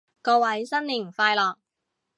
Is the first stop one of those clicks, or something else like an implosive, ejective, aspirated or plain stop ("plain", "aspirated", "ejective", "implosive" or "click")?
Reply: plain